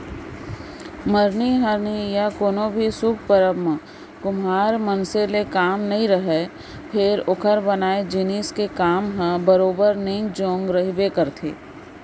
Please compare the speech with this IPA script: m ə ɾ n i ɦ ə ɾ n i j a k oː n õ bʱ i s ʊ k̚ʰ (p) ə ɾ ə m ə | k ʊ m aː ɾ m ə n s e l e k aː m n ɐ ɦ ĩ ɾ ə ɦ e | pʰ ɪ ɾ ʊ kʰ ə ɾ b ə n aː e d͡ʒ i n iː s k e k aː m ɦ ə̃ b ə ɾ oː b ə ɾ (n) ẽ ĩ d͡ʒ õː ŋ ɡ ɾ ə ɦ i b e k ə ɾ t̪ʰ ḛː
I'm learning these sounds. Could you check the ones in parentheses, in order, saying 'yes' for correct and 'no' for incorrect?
yes, yes

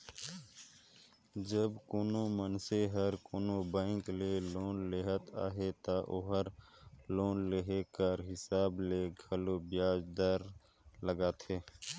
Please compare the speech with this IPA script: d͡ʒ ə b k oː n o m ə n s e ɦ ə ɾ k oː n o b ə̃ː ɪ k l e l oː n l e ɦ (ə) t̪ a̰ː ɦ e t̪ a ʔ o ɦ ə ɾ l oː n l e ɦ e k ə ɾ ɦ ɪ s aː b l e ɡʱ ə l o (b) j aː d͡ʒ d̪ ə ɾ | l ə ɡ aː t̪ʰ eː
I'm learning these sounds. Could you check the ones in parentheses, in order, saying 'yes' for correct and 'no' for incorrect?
yes, yes

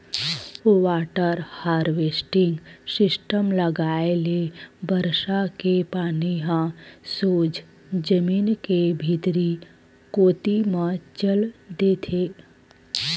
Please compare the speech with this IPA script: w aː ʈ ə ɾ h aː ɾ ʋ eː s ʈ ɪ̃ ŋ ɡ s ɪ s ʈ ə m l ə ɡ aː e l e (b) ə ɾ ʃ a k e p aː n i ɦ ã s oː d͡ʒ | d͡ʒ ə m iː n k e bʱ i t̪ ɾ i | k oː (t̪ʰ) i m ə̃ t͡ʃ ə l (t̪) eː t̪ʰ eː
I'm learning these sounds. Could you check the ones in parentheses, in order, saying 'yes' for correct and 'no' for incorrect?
yes, no, no

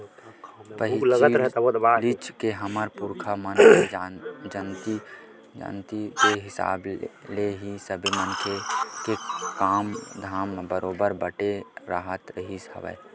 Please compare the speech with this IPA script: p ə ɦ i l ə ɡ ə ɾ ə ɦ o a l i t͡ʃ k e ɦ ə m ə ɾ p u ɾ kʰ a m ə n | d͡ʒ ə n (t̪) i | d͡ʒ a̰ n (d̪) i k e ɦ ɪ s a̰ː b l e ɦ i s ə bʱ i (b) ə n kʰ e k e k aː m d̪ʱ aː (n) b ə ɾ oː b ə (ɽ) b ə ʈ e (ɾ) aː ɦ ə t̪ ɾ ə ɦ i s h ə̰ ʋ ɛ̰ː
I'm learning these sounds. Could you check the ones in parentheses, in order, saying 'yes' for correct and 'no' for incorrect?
yes, no, no, no, no, yes

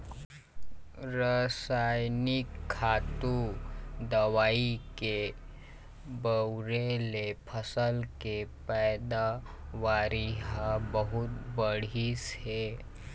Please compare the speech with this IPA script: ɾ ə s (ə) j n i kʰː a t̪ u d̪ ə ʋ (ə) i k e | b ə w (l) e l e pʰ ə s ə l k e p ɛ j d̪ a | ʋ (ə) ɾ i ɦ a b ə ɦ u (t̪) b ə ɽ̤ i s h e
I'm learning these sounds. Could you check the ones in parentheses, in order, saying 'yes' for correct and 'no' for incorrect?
no, no, no, no, yes

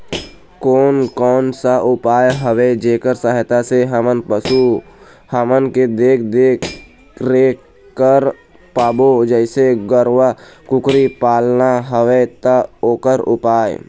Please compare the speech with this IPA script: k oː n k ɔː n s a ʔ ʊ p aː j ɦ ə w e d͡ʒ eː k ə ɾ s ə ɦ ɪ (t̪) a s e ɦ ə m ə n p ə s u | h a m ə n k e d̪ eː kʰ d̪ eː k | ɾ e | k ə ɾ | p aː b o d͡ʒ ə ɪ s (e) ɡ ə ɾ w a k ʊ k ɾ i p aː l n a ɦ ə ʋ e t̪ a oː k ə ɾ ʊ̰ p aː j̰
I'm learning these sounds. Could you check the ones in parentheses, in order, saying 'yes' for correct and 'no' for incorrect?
yes, yes

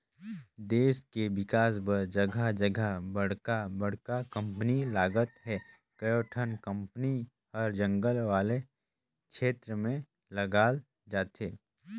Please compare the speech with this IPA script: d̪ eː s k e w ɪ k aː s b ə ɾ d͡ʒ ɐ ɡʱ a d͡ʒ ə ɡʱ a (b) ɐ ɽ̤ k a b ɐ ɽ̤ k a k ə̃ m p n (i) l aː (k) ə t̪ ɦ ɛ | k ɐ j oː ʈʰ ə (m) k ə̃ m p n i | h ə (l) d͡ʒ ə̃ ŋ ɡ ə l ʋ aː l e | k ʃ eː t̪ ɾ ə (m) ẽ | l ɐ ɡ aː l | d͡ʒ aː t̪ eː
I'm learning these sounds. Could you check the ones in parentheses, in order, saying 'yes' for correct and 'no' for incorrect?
yes, yes, no, no, no, yes

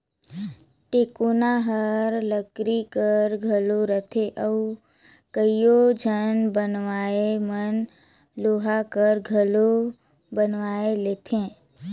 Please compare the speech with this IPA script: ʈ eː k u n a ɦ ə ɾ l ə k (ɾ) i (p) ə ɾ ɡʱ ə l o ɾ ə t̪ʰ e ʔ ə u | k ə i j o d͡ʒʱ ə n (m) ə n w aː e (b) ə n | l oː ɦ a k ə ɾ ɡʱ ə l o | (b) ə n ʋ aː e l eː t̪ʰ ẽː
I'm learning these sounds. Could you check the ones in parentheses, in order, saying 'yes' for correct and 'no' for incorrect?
yes, no, no, no, yes

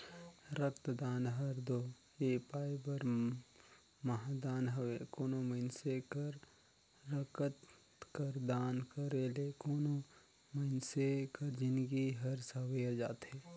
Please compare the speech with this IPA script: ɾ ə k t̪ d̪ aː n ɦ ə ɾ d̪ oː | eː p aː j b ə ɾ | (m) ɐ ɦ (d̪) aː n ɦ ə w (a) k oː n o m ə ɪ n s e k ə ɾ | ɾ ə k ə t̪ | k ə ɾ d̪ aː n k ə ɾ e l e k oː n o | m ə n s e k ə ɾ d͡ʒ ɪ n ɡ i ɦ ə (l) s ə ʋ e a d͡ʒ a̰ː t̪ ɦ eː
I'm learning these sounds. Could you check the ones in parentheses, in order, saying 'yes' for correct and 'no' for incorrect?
yes, yes, no, no

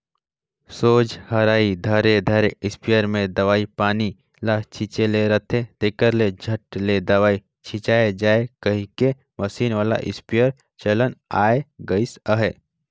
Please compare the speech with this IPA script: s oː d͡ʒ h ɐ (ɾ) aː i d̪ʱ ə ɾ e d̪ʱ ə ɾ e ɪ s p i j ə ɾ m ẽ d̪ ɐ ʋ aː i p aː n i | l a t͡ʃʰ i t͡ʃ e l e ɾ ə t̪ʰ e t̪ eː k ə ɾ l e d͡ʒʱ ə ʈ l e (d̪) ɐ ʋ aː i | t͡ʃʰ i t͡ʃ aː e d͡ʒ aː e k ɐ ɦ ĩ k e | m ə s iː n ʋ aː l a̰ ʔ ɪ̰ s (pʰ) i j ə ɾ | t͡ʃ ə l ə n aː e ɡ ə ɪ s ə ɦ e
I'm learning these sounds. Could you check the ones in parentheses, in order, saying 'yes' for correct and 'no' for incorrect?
yes, yes, no

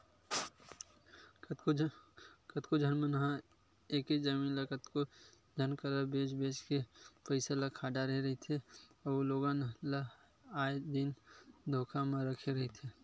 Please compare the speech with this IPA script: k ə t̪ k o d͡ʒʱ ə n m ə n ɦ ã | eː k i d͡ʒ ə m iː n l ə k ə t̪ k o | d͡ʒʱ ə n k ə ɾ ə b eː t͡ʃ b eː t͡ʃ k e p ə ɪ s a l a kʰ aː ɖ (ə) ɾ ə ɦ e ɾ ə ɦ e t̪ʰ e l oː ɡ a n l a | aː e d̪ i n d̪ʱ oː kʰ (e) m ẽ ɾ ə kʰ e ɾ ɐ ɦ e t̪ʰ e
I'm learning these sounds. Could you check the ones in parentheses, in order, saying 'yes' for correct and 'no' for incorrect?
no, no

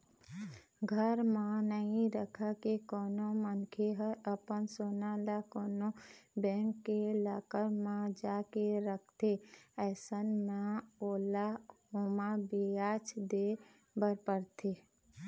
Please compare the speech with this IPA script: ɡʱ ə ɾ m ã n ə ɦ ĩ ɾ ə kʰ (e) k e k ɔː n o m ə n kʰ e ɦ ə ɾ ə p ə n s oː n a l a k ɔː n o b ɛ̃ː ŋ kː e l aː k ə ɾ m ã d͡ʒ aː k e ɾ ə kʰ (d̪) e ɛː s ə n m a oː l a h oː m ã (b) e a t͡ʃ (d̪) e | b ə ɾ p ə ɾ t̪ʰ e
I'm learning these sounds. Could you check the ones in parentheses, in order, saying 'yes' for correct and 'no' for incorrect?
no, no, yes, yes

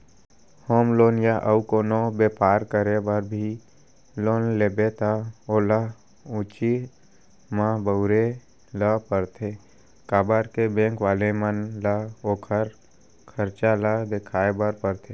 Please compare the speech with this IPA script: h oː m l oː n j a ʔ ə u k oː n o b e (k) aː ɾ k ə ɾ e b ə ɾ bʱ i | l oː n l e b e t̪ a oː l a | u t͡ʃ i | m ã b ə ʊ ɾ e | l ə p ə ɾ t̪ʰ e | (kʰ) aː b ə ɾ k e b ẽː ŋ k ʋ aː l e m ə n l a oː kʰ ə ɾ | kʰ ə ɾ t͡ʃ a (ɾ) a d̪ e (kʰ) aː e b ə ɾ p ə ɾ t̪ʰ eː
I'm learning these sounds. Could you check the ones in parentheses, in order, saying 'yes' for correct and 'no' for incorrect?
no, no, no, yes

